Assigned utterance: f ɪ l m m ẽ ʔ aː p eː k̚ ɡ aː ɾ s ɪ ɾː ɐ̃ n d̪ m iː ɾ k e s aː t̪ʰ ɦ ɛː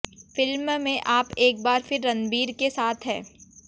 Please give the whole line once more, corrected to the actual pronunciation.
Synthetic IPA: f ɪ l m m ẽ ʔ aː p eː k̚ b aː ɾ f ɪ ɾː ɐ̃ n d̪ b iː ɾ k e s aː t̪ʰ ɦ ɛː